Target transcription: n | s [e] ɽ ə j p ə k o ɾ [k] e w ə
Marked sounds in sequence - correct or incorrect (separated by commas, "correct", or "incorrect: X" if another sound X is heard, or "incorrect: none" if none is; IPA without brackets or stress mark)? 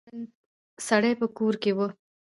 incorrect: a, correct